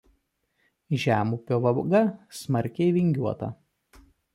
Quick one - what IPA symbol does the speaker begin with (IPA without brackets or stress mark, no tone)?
ʒʲ